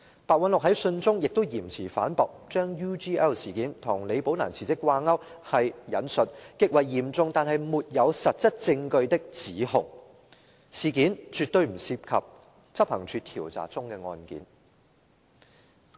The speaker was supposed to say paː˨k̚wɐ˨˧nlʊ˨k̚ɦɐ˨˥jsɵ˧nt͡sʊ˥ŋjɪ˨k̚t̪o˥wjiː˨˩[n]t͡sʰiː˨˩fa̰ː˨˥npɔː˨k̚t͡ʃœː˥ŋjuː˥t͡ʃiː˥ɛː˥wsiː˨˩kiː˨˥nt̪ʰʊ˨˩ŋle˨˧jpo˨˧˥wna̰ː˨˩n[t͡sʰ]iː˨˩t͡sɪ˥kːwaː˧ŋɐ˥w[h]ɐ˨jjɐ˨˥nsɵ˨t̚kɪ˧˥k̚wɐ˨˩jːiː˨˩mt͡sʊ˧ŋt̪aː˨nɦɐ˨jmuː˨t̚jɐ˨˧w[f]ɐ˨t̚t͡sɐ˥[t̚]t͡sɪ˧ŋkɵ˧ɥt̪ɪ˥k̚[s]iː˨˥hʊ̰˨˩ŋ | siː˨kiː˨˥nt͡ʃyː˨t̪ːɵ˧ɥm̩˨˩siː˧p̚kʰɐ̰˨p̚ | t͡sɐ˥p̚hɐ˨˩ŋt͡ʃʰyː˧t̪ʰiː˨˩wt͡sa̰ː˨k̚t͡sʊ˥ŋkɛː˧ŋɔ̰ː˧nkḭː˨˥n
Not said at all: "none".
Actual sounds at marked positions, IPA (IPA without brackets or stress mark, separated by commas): m, t͡sʰ, h, s, t̚, t͡s